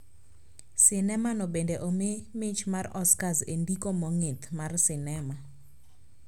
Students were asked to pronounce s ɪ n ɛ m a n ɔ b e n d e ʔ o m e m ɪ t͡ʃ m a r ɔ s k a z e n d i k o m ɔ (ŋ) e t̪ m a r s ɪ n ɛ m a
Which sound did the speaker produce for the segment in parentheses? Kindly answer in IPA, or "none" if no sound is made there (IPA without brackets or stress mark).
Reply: ŋ